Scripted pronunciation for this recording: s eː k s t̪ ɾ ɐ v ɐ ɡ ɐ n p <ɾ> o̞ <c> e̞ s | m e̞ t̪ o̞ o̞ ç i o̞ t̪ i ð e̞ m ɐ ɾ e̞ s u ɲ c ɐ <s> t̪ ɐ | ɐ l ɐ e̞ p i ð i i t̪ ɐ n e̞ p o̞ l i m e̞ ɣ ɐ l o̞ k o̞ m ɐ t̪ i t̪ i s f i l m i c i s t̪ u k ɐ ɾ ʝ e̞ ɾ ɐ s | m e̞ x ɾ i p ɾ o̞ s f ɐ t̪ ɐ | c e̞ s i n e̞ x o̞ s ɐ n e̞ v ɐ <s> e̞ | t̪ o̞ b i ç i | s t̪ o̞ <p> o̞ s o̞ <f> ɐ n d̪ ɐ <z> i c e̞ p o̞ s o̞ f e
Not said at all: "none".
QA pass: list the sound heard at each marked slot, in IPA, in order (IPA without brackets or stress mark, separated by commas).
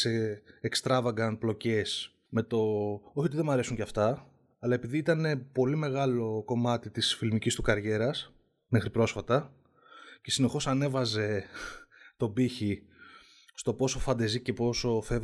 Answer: l, c, f, z, p, f, z